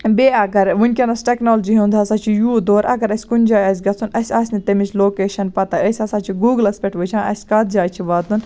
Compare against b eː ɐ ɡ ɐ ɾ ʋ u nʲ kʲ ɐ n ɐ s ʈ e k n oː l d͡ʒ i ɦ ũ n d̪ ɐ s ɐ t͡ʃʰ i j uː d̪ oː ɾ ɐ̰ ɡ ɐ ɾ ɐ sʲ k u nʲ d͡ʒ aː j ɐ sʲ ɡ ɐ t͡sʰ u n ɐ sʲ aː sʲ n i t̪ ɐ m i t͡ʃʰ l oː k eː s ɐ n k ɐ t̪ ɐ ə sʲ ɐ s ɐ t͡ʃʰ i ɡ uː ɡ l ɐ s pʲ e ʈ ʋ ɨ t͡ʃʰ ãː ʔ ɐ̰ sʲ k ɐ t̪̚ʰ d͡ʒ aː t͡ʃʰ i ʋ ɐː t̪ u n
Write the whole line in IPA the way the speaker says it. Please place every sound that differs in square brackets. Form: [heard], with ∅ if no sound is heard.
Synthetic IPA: b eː ɐ ɡ ɐ ɾ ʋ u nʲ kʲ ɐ n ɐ s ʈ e k n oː l d͡ʒ i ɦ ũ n d̪ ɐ s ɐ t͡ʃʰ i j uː d̪ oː ɾ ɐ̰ ɡ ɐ ɾ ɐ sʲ k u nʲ d͡ʒ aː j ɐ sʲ ɡ ɐ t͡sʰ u n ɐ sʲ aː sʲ n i t̪ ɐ m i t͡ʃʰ l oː k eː [ʃ] ɐ n [p] ɐ t̪ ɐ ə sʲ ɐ s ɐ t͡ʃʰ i ɡ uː ɡ l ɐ s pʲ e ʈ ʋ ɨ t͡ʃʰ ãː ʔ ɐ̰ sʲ k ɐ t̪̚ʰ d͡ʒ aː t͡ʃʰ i ʋ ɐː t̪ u n

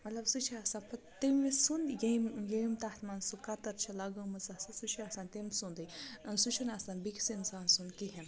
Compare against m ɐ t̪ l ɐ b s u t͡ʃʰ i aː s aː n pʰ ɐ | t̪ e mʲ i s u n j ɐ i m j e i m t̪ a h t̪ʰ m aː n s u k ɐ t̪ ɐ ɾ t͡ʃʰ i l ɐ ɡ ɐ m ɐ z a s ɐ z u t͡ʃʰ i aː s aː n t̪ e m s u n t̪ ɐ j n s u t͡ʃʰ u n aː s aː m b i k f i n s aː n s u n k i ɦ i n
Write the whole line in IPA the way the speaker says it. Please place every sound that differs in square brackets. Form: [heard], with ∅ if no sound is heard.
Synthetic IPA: m ɐ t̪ l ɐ b s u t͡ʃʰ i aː s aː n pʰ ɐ | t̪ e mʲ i s u n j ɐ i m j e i m t̪ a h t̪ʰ m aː n s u k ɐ t̪ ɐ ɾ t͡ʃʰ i l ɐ ɡ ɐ m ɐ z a s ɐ [s] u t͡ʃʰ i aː s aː n t̪ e m s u n [d̪] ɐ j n s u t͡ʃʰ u n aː s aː [n] b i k [s] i n s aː n s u n k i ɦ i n

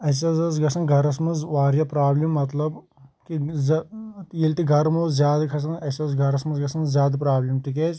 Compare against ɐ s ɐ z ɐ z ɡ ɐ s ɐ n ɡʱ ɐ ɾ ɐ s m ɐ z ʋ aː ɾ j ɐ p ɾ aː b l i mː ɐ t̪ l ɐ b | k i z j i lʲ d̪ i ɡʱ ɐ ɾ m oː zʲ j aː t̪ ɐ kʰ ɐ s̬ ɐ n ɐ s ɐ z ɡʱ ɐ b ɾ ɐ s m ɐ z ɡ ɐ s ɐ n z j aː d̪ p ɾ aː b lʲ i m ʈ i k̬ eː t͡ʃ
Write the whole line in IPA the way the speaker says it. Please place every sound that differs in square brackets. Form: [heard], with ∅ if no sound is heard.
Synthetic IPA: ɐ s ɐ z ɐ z ɡ ɐ s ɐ n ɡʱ ɐ ɾ ɐ s m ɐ z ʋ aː ɾ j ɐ p ɾ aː b l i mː ɐ t̪ l ɐ b | k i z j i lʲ [t̪] i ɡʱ ɐ ɾ m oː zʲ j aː [d̪] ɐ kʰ ɐ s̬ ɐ n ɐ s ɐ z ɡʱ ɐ [∅] ɾ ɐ s m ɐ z ɡ ɐ s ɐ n z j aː d̪ p ɾ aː b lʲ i m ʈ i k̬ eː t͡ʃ

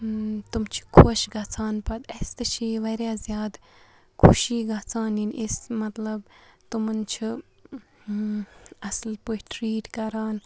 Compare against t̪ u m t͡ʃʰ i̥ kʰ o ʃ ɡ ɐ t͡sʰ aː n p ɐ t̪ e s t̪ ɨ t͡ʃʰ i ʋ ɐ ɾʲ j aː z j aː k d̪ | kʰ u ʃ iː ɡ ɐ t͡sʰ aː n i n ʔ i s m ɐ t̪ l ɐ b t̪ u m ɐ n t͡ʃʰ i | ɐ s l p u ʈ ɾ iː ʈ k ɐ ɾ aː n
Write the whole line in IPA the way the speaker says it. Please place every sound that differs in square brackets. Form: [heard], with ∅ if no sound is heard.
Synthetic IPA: t̪ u m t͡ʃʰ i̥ kʰ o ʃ ɡ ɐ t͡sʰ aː n p ɐ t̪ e s t̪ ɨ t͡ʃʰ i ʋ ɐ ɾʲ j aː z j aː [∅] d̪ | kʰ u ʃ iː ɡ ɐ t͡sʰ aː n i n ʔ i s m ɐ t̪ l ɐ b t̪ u m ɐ n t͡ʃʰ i | ɐ s l p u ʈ ɾ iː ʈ k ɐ ɾ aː n

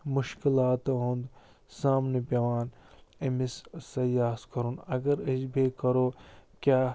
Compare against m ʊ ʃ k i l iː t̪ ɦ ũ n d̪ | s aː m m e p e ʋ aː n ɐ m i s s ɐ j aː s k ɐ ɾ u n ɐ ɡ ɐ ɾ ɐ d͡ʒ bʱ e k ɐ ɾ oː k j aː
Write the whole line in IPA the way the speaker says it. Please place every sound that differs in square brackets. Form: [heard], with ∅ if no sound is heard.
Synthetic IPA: m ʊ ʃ k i l [aː] t̪ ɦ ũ n d̪ | s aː m [n] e p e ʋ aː n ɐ m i s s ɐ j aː s k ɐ ɾ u n ɐ ɡ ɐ ɾ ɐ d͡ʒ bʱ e k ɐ ɾ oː k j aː

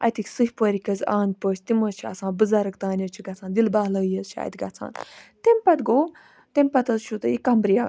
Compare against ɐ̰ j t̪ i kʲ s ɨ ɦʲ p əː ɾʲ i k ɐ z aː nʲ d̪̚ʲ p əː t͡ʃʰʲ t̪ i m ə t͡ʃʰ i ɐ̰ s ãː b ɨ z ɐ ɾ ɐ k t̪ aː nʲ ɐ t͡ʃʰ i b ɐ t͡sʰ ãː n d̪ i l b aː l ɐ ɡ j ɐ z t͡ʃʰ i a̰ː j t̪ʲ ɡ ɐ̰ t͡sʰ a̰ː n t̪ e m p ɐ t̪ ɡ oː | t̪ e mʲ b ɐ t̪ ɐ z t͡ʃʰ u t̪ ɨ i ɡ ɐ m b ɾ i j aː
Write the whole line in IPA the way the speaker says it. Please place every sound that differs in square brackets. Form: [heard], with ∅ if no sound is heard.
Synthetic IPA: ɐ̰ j t̪ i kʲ s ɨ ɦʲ p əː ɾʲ i k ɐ z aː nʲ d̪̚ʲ p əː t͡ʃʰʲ t̪ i m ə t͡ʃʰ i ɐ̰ s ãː b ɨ z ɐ ɾ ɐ k t̪ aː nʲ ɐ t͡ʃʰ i [ɡ] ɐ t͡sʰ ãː n d̪ i l b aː l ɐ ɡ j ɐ z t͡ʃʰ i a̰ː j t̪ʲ ɡ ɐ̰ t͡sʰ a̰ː n t̪ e m p ɐ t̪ ɡ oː | t̪ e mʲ [p] ɐ t̪ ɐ z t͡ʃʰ u t̪ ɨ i [k] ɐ m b ɾ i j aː

